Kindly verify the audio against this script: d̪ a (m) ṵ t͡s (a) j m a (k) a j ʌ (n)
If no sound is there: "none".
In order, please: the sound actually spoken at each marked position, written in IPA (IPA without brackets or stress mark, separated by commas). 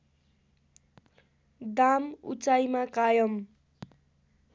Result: m, a, k, m